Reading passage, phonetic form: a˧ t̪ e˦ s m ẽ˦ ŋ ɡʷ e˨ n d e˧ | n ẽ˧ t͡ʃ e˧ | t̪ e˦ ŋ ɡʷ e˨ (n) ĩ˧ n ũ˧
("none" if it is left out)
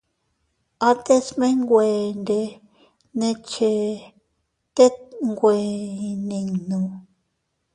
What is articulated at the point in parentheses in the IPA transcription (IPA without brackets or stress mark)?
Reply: n